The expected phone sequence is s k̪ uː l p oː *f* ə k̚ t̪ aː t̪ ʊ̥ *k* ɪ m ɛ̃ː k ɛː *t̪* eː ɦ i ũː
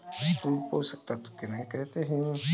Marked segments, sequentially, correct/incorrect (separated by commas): incorrect, correct, correct